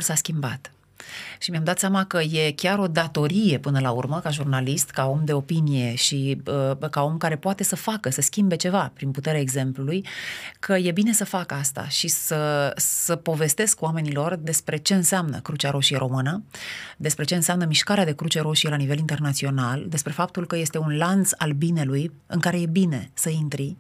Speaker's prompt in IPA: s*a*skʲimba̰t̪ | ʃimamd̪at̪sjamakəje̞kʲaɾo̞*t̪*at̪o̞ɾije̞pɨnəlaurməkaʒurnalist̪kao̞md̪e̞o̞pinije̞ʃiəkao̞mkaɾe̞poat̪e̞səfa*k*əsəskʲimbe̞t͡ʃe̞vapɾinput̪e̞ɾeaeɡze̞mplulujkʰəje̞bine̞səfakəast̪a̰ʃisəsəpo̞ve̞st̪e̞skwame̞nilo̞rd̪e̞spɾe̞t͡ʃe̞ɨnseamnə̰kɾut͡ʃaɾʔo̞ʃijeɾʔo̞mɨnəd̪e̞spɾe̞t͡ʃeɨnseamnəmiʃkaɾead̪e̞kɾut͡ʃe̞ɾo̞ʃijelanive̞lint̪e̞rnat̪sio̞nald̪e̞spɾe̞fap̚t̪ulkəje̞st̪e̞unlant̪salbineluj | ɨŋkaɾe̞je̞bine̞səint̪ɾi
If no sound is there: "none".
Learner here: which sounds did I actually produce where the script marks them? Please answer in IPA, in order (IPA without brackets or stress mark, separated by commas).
a, d̪, k